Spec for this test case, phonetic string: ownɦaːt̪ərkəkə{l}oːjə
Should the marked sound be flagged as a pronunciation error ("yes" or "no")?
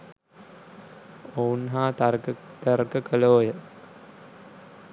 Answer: no